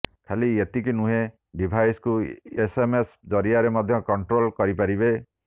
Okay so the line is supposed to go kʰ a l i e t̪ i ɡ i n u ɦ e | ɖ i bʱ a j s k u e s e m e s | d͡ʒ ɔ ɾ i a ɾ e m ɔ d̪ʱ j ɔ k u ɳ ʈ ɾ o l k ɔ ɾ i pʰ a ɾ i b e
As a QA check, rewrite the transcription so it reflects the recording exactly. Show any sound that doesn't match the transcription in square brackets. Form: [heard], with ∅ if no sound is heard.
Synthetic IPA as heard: kʰ a l i e t̪ i [k] i n u ɦ e | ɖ i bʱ a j s k u e s e m e s | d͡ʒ ɔ ɾ i a ɾ e m ɔ d̪ʱ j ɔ k [ɔ] ɳ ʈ ɾ o l k ɔ ɾ i [p] a ɾ i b e